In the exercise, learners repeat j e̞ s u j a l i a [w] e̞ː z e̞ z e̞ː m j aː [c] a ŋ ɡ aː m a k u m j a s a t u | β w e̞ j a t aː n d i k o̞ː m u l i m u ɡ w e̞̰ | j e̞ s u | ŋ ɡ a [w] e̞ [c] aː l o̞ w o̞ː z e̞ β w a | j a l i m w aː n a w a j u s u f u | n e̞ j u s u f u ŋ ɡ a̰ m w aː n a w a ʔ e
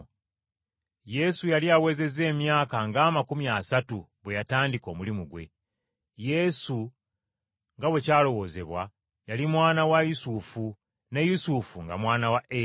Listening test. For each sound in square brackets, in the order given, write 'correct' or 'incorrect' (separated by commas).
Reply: correct, incorrect, correct, correct